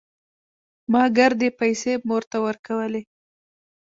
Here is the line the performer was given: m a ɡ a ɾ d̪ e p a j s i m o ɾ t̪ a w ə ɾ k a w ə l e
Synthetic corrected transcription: m ɑ ɡ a ɾ d̪ e p a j s e m o ɾ t̪ a w ə ɾ k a w ə l e